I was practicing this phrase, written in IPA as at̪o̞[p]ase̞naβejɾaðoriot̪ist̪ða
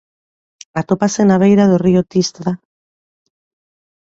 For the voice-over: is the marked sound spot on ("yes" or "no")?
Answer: yes